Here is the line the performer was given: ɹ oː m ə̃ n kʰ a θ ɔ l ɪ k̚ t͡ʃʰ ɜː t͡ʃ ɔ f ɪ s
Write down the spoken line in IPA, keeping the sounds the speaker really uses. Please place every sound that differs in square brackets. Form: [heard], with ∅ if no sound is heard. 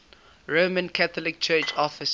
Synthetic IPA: ɹ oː m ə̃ n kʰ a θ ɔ l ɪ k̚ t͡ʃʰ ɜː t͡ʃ ɔ f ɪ s